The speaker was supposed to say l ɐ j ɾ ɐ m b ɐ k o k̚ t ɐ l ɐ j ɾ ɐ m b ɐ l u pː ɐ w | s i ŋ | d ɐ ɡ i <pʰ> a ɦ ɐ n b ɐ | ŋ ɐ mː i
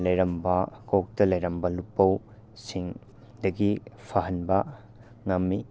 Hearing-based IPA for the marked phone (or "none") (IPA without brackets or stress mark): pʰ